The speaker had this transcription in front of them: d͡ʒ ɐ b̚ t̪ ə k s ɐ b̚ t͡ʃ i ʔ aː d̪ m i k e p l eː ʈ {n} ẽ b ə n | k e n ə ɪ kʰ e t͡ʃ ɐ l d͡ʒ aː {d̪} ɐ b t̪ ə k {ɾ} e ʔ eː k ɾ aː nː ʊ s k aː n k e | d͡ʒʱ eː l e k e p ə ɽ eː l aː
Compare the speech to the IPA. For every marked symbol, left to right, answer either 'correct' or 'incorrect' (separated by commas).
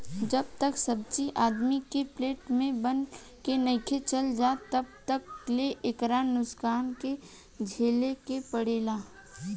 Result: incorrect, incorrect, incorrect